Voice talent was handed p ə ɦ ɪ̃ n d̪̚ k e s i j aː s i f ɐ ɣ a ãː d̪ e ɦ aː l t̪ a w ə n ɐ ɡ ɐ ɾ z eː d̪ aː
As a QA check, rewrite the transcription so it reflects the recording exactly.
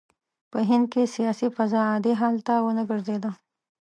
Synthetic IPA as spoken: p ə ɦ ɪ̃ n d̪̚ k e s i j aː s i f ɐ z a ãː d̪ e ɦ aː l t̪ a w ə n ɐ ɡ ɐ ɾ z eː d̪ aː

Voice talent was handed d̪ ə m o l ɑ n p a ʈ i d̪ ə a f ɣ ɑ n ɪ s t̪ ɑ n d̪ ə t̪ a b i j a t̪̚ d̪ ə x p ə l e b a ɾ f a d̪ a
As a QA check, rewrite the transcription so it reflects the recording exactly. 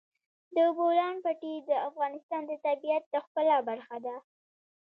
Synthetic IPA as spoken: d̪ ə b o l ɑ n p a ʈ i d̪ ə a f ɣ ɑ n ɪ s t̪ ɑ n d̪ ə t̪ a b i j a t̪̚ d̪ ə x p ə l a b a ɾ x a d̪ a

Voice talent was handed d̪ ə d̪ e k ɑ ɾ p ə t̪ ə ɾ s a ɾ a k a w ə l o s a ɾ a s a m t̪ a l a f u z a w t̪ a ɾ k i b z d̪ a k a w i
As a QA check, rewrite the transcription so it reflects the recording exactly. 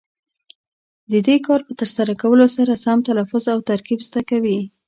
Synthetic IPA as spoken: d̪ ə d̪ e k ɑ ɾ p ə t̪ ə ɾ s a ɾ a k a w ə l o s a ɾ a s a m t̪ a l a f ʊ z a w t̪ a ɾ k i b z d̪ a k a w i

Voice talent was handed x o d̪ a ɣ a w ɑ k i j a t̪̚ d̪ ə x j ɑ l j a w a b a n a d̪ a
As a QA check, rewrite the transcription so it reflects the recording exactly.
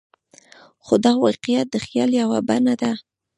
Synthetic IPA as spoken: x o d̪ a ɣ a w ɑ q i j a t̪̚ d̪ ə x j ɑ l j a w a b a n a d̪ a

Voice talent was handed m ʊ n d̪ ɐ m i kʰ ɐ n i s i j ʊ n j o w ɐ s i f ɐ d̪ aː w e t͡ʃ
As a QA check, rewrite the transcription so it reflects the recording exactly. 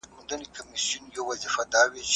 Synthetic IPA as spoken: m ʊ n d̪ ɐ n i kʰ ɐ m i s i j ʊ n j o w ɐ z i f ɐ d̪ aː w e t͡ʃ

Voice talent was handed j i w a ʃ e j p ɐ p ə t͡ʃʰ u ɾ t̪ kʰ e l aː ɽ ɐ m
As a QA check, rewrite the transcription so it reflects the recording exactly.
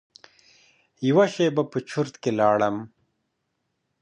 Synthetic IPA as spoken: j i w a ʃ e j b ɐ p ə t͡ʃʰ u ɾ t̪ k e l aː ɽ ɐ m

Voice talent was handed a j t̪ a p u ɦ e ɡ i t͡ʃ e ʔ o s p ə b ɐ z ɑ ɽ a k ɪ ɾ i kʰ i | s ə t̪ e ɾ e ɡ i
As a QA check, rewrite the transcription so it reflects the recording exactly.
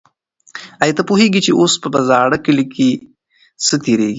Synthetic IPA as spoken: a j t̪ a p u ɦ e ɡ i t͡ʃ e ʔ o s p ə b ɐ z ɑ ɽ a k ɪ l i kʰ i | s ə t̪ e ɾ e ɡ i

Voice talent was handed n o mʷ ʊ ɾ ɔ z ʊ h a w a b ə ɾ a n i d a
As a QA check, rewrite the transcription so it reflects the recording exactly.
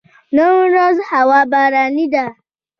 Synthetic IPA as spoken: n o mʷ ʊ ɾ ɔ z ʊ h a w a b a ɾ a n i d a

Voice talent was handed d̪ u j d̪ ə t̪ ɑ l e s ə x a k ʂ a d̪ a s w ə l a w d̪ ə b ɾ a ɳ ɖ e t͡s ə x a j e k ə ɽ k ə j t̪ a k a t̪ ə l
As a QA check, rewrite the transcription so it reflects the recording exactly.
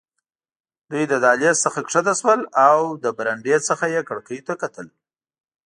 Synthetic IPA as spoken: d̪ u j d̪ ə d̪ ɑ l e s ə x a k ʂ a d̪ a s w ə l a w d̪ ə b ɾ a ɳ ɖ e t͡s ə x a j e k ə ɽ k ə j t̪ a k a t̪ ə l

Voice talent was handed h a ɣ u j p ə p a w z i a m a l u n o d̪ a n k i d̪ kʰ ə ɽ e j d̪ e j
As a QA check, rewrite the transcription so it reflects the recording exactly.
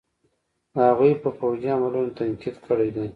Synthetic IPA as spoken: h a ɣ u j p ə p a w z i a m a l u n o t̪ a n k i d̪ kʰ ə ɽ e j d̪ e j

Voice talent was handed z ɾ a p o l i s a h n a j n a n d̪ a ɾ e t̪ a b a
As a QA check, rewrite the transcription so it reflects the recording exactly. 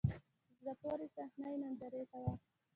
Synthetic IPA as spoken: z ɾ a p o ɾ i s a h n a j n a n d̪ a ɾ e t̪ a w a

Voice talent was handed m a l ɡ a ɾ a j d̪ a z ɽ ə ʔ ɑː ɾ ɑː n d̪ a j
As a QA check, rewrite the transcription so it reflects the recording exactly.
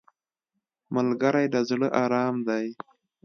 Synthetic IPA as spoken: m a l ɡ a ɾ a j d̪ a z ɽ ə ʔ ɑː ɾ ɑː m d̪ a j

